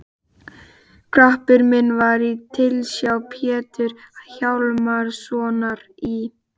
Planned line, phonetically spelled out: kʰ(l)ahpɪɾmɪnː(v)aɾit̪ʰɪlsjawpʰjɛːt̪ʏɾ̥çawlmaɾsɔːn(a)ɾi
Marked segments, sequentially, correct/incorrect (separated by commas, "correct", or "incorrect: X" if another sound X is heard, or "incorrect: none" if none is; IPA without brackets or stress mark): incorrect: ɾ, correct, correct